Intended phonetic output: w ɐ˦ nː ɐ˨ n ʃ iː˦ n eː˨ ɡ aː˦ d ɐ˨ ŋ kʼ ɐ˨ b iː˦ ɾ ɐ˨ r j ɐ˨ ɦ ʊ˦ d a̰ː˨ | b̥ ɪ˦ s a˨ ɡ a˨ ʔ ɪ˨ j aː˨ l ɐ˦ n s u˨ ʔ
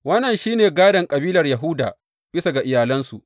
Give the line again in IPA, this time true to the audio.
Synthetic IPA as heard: w ɐ˦ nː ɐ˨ n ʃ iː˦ n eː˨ ɡ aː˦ d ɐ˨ ŋ kʼ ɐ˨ b iː˦ l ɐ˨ r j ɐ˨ ɦ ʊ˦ d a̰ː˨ | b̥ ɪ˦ s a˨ ɡ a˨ ʔ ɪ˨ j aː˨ l ɐ˦ n s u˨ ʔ